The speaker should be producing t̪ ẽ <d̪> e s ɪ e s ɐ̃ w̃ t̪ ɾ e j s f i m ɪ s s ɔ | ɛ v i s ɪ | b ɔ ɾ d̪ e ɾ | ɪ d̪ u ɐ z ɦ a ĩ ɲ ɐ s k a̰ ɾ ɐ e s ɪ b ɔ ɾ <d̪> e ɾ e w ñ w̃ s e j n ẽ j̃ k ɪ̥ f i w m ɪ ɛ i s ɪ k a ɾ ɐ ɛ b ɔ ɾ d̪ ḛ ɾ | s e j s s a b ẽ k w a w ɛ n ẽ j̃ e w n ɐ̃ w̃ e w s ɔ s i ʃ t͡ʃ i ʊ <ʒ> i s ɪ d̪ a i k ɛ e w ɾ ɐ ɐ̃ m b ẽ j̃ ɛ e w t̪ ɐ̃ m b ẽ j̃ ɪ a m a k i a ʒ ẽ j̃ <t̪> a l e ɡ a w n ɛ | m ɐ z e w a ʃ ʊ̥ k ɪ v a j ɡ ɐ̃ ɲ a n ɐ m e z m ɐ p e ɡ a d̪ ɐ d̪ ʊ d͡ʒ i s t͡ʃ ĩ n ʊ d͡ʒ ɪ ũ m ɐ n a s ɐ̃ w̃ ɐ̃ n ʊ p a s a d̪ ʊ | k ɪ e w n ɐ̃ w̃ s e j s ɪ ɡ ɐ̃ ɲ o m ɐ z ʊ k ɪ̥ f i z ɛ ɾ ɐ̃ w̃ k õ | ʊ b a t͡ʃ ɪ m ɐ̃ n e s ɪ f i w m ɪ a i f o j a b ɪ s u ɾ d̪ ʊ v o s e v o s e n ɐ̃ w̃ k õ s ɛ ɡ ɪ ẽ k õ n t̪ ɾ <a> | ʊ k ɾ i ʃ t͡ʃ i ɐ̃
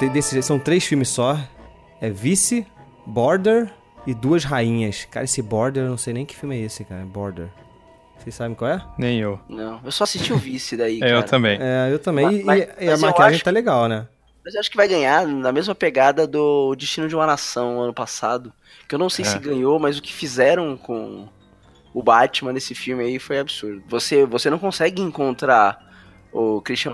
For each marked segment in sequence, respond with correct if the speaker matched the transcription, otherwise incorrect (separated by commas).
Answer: correct, correct, incorrect, correct, correct